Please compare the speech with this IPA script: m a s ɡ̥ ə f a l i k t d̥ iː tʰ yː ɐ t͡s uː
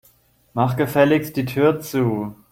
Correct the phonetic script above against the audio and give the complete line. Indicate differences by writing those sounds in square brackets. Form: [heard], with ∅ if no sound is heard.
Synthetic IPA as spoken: m a [χ] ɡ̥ ə f [ɛ] l [ɪ] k [s] d̥ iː tʰ yː ɐ t͡s uː